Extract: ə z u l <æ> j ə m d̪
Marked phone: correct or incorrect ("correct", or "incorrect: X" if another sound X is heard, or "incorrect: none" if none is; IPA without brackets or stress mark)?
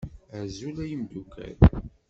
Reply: correct